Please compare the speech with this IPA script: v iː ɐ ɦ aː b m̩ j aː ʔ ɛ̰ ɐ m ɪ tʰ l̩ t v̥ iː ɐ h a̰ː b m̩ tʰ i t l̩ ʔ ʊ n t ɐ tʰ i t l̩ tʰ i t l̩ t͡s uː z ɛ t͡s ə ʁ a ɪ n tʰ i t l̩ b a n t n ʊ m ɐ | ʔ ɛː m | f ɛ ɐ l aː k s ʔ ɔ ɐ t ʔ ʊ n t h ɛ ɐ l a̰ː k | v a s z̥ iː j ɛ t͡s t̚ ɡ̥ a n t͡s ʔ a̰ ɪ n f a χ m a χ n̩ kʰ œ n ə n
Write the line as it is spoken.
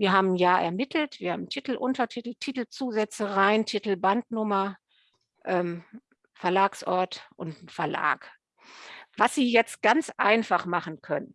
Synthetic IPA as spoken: v iː ɐ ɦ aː b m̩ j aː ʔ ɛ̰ ɐ m ɪ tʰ l̩ t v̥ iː ɐ h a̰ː b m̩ tʰ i t l̩ ʔ ʊ n t ɐ tʰ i t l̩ tʰ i t l̩ t͡s uː z ɛ t͡s ə ʁ a ɪ n tʰ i t l̩ b a n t n ʊ m ɐ | ʔ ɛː m | f ɛ ɐ l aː k s ʔ ɔ ɐ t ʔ ʊ n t f ɛ ɐ l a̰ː k | v a s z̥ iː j ɛ t͡s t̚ ɡ̥ a n t͡s ʔ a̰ ɪ n f a χ m a χ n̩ kʰ œ n ə n